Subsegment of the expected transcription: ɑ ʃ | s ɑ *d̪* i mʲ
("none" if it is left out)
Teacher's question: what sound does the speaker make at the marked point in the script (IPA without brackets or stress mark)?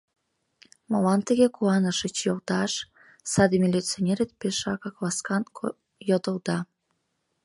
d̪